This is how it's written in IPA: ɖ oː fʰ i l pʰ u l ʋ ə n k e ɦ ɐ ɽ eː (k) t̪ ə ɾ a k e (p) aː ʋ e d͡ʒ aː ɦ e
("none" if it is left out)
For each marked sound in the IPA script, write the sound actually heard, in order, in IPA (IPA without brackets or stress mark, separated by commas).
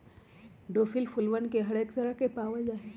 k, p